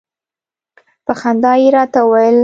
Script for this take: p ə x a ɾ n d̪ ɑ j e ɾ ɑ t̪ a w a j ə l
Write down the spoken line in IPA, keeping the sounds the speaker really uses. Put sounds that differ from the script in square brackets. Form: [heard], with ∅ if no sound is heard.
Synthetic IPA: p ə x a [∅] n d̪ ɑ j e ɾ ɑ t̪ a w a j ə l